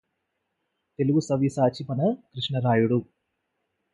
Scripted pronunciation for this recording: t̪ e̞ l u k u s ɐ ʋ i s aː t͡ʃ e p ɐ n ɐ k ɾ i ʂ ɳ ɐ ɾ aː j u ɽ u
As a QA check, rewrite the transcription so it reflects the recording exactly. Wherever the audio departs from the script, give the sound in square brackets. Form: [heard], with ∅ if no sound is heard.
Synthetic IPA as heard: t̪ e̞ l u [ɡ] u s ɐ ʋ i s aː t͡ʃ [i] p ɐ n ɐ k ɾ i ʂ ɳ ɐ ɾ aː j u ɽ u